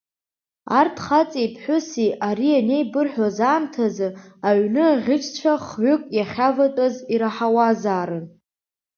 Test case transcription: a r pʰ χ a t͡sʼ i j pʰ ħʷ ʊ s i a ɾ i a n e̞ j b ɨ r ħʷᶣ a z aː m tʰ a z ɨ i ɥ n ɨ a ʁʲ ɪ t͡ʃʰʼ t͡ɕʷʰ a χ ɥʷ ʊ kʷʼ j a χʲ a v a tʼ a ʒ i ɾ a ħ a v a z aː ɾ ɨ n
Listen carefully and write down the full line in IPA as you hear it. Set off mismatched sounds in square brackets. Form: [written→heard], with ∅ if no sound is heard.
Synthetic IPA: a r [pʰ→tʰ] χ a t͡sʼ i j pʰ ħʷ ʊ s i a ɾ i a n e̞ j b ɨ r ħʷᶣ a z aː m tʰ a z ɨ [i→a] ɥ n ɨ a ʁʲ ɪ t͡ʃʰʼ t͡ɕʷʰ a χ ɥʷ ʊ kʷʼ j a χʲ a v a tʼ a [ʒ→z] i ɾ a ħ a [v→w] a z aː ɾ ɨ n